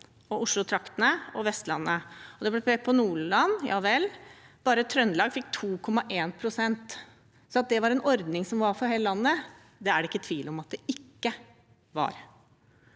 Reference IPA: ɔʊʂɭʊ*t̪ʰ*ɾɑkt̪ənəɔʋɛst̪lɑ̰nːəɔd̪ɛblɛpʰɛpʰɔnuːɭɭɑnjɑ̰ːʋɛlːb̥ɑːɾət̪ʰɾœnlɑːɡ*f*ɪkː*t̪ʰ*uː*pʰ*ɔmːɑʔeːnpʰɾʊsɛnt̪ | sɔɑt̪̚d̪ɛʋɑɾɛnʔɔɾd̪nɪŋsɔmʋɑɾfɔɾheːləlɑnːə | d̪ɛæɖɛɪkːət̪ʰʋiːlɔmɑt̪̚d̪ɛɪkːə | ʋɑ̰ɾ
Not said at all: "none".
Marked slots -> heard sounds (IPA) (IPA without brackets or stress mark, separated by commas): t̪ʰ, f, t̪ʰ, kʰ